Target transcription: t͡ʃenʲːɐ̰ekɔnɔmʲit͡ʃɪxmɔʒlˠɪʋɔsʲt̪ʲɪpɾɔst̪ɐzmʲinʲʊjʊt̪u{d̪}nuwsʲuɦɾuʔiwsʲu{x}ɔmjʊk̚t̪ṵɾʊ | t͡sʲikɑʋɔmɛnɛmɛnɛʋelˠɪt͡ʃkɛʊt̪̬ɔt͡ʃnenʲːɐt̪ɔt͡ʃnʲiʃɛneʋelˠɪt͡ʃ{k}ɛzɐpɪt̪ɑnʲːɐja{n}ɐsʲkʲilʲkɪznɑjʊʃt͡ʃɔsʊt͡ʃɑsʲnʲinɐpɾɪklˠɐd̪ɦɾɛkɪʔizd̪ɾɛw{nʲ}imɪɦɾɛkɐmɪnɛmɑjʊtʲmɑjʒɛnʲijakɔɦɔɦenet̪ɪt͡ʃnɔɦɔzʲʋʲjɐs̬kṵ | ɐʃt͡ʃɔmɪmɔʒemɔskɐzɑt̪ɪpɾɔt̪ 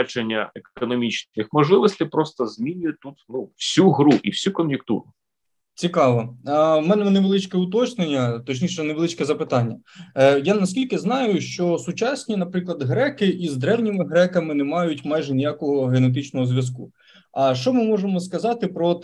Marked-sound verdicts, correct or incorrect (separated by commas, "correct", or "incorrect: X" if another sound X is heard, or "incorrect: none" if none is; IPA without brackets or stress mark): incorrect: t̪, incorrect: k, correct, correct, correct